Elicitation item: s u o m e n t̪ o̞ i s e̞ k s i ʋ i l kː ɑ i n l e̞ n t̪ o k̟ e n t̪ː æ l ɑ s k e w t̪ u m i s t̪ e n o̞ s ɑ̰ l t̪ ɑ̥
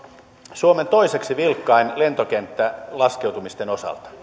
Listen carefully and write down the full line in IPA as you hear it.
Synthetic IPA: s u o m e n t̪ o̞ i s e̞ k s i ʋ i l kː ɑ i n l e̞ n t̪ o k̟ e n t̪ː æ l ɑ s k e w t̪ u m i s t̪ e n o̞ s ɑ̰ l t̪ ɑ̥